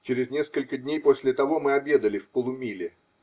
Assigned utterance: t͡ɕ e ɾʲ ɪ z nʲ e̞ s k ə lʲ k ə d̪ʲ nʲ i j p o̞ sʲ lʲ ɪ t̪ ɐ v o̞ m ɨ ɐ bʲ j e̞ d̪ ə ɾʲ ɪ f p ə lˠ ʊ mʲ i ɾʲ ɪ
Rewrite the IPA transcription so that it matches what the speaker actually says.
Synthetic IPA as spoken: t͡ɕ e ɾʲ ɪ z nʲ e̞ s k ə lʲ k ə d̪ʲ nʲ e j p o̞ sʲ lʲ ɪ t̪ ɐ v o̞ m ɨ ɐ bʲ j e̞ d̪ ə lʲ ɪ f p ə lˠ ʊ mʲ i lʲ ɪ

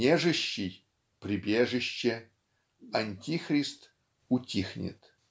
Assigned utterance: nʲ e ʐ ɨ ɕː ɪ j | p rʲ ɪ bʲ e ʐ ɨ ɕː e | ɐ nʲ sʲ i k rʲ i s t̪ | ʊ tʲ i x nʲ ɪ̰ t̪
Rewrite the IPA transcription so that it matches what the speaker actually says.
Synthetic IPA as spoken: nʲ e ʐ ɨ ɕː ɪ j | p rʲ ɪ bʲ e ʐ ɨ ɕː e | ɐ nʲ tʲ i x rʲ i s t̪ | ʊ tʲ i x nʲ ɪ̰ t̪

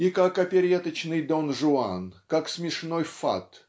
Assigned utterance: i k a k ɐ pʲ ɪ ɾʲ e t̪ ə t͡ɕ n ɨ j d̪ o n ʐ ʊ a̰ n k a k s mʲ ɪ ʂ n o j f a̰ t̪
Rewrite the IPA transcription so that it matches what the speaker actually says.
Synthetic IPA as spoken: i k a k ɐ pʲ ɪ ɾʲ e t̪ ə t͡ɕ n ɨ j d̪ o n ʐ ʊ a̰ n k a k s mʲ ɪ ʂ n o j f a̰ t̪

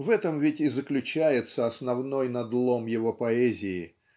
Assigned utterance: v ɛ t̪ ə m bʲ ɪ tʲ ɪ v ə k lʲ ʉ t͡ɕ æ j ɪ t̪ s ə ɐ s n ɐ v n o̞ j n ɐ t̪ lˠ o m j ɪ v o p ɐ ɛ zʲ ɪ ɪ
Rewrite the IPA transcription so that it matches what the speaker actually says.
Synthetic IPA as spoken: v ɛ t̪ ə m vʲ ɪ tʲ ɪ z ə k lʲ ʉ t͡ɕ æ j ɪ t̪ s ə ɐ s n ɐ v n o̞ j n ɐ d̪ lˠ o m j ɪ v o p ɐ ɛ zʲ ɪ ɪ

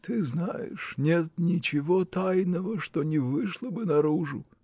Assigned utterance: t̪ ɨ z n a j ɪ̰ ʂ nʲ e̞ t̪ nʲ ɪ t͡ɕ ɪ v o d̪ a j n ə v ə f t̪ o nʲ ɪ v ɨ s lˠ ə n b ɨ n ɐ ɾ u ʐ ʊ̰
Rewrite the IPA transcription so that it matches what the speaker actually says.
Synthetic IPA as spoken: t̪ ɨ z n a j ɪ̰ ʂ nʲ e̞ t̪ nʲ ɪ t͡ɕ ɪ v o t̪ a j n ə v ə ʂ t̪ o nʲ ɪ v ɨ ʂ lˠ ə b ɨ n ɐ ɾ u ʐ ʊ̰

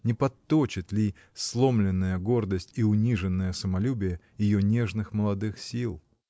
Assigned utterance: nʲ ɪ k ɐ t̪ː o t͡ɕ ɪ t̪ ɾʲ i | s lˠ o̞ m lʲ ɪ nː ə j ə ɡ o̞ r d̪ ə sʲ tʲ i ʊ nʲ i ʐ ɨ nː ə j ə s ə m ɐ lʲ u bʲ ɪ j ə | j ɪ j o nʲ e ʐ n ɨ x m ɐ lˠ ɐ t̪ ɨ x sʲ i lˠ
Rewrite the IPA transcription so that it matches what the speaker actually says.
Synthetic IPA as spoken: nʲ ɪ p ɐ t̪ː o t͡ɕ ɪ t̪ lʲ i | s lˠ o̞ m lʲ ɪ nː ə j ə ɡ o̞ r d̪ ə sʲ tʲ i ʊ nʲ i ʐ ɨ nː ə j ə s ə m ɐ lʲ u bʲ ɪ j ə | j ɪ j o nʲ e ʐ n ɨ x m ə lˠ ɐ d̪ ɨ x sʲ i lˠ

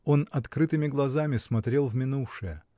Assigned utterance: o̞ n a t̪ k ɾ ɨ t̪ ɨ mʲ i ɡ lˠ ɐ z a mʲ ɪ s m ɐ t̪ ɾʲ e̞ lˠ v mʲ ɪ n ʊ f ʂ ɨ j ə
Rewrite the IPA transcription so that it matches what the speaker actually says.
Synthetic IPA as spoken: o̞ n ɐ t̪ k ɾ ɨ t̪ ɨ mʲ ɪ ɡ lˠ ɐ z a mʲ ɪ s m ɐ t̪ ɾʲ e̞ lˠ v mʲ ɪ n u f ʂ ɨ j ə

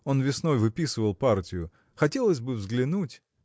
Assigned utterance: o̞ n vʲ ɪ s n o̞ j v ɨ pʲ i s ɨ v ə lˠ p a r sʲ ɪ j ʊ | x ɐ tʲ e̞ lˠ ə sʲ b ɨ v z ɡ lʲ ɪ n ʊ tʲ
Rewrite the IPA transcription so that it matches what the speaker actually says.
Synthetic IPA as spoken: o̞ n vʲ ɪ s n o̞ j v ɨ pʲ i s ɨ v ə lˠ p a r tʲ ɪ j ʊ | x ɐ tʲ e̞ lˠ ə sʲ b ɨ v z ɡ lʲ ɪ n u tʲ

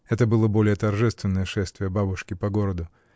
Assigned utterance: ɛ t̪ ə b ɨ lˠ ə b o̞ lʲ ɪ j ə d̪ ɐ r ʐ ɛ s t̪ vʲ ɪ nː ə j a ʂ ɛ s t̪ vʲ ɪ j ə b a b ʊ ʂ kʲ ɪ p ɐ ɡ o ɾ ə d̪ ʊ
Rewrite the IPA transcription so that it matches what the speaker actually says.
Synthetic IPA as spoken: ɛ t̪ ə b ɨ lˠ ə b o̞ lʲ ɪ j ə t̪ ɐ r ʐ ɛ s t̪ vʲ ɪ nː ə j ə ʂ ɛ s t̪ vʲ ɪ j ə b a b ʊ ʂ kʲ ɪ p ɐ ɡ o ɾ ə d̪ ʊ

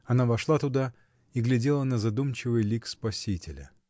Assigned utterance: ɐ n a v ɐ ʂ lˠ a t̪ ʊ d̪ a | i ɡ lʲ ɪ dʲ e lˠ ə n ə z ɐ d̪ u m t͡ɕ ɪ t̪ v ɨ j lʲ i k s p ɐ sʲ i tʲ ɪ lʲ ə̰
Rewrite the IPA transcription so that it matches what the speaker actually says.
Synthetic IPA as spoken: ɐ n a v ɐ ʂ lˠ a t̪ ʊ d̪ a | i ɡ lʲ ɪ dʲ e lˠ ə n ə z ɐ d̪ u m t͡ɕ ɪ v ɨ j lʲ i k s p ɐ sʲ i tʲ ɪ lʲ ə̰

